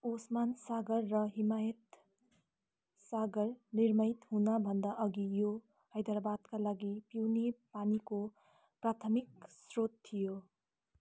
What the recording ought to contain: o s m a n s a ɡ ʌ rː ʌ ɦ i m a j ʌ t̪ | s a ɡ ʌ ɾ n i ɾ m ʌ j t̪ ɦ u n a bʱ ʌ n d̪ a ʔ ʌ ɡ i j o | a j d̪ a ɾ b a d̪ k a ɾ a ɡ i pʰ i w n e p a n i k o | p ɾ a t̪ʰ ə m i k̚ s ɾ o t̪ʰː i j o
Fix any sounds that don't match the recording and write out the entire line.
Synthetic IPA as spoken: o s m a n s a ɡ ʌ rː ʌ ɦ i m a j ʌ t̪ | s a ɡ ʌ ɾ n i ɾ m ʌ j t̪ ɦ u n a bʱ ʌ n d̪ a ʔ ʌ ɡ i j o | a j d̪ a ɾ b a d̪ k a l a ɡ i p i w n e p a n i k o | p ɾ a t̪ʰ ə m i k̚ s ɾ o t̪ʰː i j o